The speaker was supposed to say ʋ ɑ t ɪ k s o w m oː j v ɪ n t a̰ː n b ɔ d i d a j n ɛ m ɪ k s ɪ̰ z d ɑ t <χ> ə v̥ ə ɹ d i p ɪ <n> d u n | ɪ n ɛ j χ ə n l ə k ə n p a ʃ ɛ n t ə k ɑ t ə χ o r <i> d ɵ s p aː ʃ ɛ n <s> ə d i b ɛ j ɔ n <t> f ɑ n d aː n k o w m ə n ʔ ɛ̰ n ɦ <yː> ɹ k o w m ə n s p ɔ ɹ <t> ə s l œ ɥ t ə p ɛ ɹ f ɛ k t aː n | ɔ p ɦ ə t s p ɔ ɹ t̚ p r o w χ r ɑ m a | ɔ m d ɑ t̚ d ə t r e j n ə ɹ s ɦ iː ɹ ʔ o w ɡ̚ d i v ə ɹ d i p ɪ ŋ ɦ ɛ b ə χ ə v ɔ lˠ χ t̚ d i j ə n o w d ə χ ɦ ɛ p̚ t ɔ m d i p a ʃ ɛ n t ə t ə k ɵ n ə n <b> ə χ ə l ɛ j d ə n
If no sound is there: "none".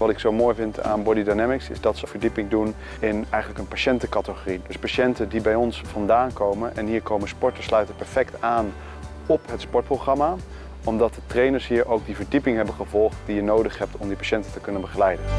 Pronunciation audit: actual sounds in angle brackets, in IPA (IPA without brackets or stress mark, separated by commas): s, ŋ, i, t, s, iː, t, b